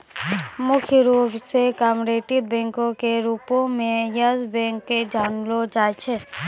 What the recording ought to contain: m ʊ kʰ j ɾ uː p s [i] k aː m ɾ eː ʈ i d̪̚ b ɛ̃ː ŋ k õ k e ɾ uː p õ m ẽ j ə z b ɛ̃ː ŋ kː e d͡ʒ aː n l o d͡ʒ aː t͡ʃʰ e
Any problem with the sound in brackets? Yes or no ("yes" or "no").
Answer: yes